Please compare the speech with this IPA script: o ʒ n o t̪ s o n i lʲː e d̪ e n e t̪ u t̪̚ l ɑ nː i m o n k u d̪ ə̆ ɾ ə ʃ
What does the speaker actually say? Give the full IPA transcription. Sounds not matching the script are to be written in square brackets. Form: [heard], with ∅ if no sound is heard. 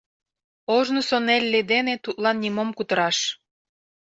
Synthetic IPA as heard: o ʒ n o [∅] s o n [e] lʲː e d̪ e n e t̪ u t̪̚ l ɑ nː i m o [m] k u [t̪] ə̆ ɾ [ɑ] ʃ